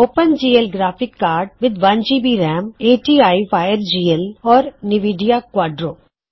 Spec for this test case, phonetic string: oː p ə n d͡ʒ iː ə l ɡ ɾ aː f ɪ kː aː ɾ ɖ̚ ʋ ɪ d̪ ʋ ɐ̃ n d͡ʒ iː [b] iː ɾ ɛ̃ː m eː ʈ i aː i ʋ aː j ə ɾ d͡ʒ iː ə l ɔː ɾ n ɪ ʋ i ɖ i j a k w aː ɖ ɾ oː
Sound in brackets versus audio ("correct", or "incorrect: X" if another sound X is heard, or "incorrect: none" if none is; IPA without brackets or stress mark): correct